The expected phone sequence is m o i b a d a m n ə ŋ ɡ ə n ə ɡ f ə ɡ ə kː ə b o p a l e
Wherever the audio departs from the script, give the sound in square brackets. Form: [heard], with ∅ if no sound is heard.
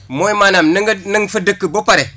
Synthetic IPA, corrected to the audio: m o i [m] a [n] a m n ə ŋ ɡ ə n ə [ŋ] f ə [d] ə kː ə b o p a [ɾ] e